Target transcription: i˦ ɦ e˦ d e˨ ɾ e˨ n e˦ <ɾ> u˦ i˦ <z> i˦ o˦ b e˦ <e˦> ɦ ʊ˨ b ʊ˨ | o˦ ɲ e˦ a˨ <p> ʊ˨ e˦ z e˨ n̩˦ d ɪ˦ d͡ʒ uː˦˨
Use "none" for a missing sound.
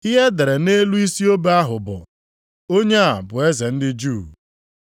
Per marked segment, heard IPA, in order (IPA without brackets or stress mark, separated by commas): l, s, a˦, b